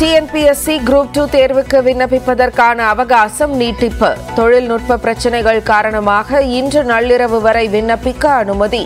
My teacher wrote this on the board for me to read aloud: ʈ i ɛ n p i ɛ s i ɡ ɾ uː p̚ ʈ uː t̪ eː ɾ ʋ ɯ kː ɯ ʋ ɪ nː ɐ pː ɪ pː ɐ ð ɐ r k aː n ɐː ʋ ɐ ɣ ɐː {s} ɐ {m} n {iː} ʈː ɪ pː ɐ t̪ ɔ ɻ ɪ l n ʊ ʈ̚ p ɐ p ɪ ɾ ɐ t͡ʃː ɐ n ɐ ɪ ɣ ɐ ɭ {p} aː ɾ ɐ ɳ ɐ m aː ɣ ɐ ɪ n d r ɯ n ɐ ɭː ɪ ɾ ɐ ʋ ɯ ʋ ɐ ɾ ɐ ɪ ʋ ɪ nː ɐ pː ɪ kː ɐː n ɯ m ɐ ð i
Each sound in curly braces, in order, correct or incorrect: correct, correct, correct, incorrect

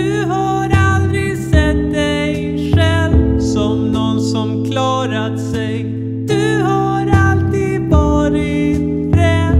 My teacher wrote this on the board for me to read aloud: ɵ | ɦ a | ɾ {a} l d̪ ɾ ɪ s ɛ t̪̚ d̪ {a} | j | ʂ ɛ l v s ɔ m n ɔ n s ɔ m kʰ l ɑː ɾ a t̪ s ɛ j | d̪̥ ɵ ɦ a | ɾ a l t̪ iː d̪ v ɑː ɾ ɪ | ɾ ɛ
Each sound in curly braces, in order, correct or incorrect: correct, incorrect

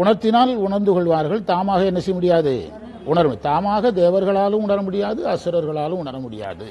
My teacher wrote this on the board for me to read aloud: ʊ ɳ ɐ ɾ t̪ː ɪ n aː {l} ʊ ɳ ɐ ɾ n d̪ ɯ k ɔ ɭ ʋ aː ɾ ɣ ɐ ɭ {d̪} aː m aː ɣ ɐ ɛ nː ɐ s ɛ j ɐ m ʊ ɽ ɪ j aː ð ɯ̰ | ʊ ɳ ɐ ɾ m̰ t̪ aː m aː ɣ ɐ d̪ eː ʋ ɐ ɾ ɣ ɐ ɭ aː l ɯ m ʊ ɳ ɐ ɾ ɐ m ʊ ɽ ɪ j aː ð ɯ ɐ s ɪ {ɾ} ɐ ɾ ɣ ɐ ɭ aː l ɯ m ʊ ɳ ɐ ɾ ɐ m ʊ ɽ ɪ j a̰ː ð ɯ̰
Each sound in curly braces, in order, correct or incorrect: correct, incorrect, correct

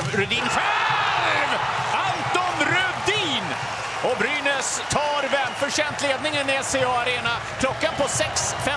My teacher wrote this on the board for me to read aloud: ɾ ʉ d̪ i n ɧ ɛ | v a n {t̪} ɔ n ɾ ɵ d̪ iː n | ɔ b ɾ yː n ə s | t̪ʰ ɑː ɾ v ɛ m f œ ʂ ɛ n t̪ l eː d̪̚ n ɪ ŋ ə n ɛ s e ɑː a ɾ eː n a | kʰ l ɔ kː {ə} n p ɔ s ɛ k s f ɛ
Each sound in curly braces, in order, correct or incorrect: correct, incorrect

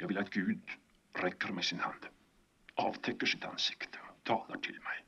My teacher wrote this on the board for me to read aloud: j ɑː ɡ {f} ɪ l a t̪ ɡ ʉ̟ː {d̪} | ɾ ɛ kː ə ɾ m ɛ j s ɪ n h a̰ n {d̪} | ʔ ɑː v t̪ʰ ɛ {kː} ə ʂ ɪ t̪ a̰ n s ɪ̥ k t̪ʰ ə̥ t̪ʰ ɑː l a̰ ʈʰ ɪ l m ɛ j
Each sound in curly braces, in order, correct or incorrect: incorrect, correct, correct, correct

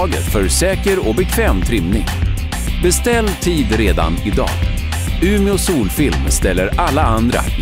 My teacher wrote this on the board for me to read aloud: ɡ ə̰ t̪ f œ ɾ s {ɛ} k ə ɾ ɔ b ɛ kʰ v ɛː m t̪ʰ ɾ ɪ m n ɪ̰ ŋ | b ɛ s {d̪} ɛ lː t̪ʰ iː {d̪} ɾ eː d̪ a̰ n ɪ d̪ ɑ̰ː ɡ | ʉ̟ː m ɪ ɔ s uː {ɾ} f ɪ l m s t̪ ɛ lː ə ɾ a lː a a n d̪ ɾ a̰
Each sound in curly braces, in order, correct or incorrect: incorrect, incorrect, correct, incorrect

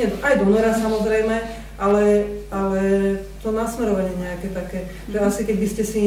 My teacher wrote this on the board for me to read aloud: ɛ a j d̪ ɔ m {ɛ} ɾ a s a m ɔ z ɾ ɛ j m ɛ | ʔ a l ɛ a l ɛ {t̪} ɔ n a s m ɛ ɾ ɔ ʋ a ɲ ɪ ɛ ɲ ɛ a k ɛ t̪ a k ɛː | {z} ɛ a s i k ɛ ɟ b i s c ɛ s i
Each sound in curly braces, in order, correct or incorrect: correct, correct, incorrect

